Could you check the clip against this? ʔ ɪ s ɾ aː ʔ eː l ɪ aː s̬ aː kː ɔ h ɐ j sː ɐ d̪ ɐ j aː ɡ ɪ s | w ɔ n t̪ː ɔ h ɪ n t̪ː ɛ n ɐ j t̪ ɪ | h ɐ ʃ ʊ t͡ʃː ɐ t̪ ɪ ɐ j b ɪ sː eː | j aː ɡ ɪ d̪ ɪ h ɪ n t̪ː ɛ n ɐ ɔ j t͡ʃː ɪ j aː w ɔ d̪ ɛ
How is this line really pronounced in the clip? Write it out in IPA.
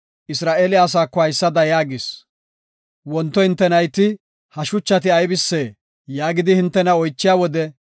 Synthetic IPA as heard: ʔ ɪ s ɾ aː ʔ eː l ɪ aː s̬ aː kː ɔ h ɐ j sː ɐ d̪ ɐ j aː ɡ ɪ s | w ɔ n t̪ː ɔ h ɪ n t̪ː ɛ n ɐ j t̪ ɪ | h ɐ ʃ ʊ t͡ʃː ɐ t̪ ɪ ɐ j b ɪ sː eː | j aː ɡ ɪ d̪ ɪ h ɪ n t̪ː ɛ n ɐ ɔ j t͡ʃː ɪ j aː w ɔ d̪ ɛ